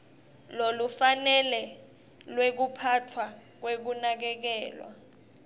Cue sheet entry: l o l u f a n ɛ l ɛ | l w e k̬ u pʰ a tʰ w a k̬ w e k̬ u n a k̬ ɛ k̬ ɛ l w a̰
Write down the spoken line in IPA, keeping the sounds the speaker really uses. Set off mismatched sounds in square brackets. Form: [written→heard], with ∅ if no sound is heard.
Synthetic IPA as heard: l o l u f a n ɛ l ɛ | l w e k̬ u pʰ a tʰ w a k̬ w e k̬ u n a k̬ ɛ k̬ [ɛ→ɛː] l w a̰